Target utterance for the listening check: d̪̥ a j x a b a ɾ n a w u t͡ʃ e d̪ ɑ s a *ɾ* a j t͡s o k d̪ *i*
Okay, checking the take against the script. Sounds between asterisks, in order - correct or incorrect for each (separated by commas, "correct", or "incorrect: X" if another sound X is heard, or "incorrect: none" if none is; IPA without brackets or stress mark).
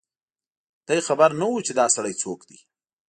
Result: incorrect: ɽ, correct